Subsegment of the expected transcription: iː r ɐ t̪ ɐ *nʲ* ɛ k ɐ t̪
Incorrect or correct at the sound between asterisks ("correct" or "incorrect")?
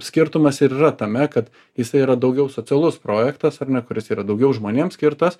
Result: incorrect